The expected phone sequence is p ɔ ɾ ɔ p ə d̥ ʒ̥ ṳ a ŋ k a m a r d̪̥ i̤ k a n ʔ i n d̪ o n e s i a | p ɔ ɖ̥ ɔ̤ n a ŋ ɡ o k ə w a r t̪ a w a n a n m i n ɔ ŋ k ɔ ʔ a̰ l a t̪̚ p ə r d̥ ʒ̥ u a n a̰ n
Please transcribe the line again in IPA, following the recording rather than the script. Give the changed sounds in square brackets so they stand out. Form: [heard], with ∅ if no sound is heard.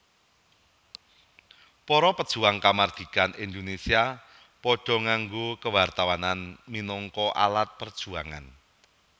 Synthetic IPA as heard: p ɔ ɾ ɔ p ə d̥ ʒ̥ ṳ a ŋ k a m a r d̪̥ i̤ k a n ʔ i n d̪ o n e s i a | p ɔ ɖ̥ ɔ̤ [ŋ] a ŋ ɡ o k ə w a r t̪ a w a n a n m i n ɔ ŋ k ɔ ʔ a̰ l a t̪̚ p ə r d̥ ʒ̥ u a [ŋ] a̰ n